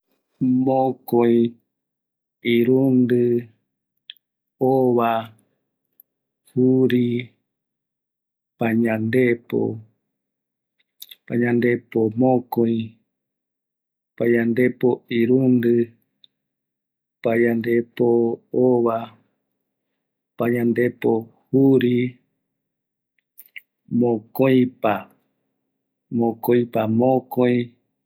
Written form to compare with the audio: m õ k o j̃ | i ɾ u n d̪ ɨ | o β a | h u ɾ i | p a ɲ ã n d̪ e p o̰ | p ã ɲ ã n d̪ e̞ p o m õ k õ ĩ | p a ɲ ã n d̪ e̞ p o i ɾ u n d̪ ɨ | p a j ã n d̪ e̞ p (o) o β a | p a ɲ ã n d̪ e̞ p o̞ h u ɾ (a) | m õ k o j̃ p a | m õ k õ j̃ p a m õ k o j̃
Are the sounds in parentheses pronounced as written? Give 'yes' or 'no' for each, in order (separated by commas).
yes, no